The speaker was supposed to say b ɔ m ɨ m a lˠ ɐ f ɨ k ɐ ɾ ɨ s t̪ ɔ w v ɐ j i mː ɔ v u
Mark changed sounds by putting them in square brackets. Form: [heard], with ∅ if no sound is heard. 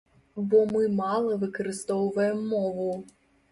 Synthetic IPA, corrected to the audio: b ɔ m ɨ m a lˠ ɐ [v] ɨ k ɐ ɾ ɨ s t̪ ɔ w v ɐ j [ɛ] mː ɔ v u